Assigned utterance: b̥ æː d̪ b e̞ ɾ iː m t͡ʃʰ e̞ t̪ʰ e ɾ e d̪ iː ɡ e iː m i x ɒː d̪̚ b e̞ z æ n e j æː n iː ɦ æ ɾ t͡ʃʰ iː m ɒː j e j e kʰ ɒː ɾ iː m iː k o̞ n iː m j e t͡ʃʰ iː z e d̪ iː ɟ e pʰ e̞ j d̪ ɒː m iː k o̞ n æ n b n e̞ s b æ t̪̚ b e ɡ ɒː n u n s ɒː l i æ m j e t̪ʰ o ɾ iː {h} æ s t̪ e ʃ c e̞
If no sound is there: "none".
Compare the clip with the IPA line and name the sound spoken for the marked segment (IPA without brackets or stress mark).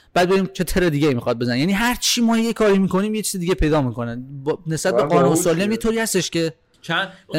h